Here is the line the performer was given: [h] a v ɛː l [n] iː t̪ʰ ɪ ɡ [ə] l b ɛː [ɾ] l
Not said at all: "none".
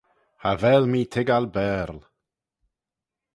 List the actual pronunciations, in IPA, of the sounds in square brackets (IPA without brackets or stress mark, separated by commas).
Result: h, m, a, ɾ